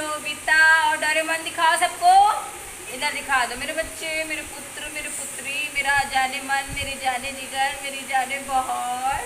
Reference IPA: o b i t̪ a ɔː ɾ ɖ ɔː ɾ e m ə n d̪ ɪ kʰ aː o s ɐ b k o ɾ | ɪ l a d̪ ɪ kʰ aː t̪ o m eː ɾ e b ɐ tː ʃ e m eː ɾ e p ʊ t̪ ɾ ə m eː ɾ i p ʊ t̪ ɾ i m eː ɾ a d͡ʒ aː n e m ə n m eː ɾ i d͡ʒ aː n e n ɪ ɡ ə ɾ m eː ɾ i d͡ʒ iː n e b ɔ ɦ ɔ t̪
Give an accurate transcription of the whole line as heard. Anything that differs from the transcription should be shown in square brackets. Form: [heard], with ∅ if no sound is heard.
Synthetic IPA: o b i t̪ a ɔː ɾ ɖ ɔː ɾ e m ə n d̪ ɪ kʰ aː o s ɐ b k o [∅] | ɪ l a d̪ ɪ kʰ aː [d̪] o m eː ɾ e b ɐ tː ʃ e m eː ɾ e p ʊ t̪ ɾ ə m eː ɾ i p ʊ t̪ ɾ i m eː ɾ a d͡ʒ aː n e m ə n m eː ɾ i d͡ʒ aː n e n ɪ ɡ ə ɾ m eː ɾ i d͡ʒ [aː] n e b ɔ ɦ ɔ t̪